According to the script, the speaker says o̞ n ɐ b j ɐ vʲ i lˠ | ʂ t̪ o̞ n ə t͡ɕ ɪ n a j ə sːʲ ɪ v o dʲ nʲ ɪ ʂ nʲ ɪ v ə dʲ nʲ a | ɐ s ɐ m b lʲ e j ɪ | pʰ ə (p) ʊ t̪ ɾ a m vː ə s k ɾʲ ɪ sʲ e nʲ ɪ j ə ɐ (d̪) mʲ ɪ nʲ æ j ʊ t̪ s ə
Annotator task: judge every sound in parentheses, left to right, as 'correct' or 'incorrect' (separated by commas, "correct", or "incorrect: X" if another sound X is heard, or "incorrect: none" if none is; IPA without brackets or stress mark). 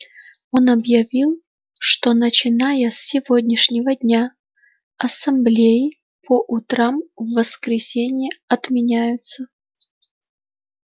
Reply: incorrect: ʔ, incorrect: t̪